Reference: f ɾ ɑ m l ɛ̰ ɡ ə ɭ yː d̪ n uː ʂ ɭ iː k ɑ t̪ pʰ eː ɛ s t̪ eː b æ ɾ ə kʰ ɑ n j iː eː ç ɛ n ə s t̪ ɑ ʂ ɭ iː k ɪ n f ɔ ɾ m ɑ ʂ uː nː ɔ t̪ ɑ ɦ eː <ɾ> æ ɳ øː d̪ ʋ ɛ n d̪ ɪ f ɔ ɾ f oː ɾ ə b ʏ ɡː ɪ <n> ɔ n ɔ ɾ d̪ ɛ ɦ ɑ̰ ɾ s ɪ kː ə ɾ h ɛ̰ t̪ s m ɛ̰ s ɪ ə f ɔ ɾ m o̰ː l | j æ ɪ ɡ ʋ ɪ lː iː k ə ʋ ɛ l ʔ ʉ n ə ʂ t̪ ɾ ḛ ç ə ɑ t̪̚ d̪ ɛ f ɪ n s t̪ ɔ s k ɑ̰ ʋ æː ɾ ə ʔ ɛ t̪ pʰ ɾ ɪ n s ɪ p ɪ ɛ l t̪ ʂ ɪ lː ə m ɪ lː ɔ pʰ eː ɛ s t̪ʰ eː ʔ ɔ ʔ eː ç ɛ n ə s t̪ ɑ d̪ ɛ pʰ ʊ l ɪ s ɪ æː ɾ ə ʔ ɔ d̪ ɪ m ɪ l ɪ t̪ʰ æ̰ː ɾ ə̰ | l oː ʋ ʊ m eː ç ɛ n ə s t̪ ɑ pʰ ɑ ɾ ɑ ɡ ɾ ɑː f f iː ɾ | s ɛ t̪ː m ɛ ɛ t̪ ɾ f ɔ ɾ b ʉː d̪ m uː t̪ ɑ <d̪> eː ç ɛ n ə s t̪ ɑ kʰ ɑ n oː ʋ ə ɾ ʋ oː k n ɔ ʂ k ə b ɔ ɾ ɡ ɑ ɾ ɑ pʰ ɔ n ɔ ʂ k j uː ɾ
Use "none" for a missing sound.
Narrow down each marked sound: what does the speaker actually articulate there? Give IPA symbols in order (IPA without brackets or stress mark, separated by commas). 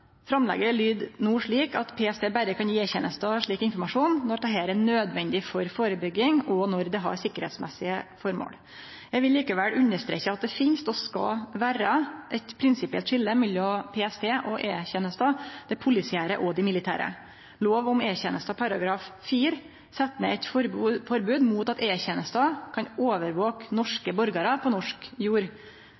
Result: ɾ, ŋ, t̪